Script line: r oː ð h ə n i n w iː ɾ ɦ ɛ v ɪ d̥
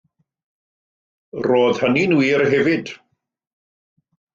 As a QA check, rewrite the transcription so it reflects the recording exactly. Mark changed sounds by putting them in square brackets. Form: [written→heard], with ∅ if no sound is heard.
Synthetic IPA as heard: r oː ð h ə n i n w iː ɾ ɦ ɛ v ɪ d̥